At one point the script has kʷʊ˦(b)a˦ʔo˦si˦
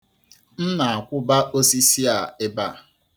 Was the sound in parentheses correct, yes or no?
yes